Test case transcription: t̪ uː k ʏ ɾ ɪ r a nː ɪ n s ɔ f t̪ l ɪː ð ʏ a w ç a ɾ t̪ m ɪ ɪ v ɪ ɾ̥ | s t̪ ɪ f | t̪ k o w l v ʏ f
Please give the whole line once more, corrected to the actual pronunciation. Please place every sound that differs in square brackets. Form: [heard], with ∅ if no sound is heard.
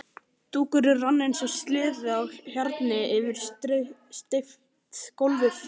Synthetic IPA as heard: t̪ uː k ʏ ɾ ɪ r a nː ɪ n s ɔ [s] t̪ l ɪː ð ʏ a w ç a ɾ t̪ [n] ɪ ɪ v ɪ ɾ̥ | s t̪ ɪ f | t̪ k o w l v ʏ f